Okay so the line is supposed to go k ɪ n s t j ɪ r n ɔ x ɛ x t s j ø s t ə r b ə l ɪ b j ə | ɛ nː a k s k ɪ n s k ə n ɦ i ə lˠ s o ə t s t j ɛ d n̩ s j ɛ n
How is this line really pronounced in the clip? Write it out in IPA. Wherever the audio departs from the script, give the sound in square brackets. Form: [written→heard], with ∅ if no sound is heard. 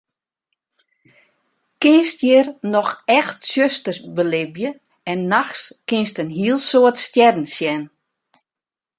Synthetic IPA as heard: k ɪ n s t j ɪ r n ɔ x ɛ x t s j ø s t ə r b ə l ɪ b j ə | ɛ nː a [k→x] s k ɪ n s [k→t] ə n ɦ i ə lˠ s o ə t s t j ɛ d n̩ s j ɛ n